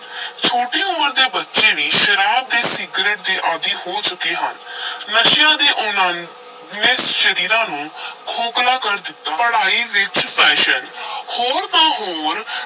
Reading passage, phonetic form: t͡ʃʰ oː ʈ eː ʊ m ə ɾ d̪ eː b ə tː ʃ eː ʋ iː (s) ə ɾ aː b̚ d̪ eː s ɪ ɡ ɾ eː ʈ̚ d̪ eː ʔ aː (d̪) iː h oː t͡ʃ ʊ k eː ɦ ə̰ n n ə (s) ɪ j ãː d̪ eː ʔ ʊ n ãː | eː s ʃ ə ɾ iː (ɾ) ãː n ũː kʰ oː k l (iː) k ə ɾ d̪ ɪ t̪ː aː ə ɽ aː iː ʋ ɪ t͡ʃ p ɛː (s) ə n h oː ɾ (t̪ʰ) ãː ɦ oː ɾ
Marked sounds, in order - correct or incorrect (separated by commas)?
incorrect, correct, incorrect, correct, incorrect, incorrect, incorrect